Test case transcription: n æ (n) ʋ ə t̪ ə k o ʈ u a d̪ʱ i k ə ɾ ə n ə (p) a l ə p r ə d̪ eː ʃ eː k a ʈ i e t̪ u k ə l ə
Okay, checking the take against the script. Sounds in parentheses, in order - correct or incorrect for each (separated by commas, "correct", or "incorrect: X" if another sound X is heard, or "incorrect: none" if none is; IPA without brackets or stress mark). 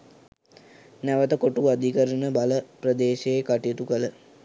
incorrect: none, incorrect: b